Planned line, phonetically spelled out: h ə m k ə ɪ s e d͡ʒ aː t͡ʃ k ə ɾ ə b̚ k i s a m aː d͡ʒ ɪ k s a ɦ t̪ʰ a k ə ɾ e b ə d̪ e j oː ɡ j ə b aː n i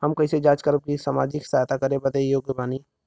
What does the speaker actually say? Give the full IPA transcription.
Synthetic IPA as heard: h ə m k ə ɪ s e d͡ʒ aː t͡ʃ k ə ɾ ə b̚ k i s a m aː d͡ʒ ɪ k s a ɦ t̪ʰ a k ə ɾ e b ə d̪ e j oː ɡ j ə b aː n i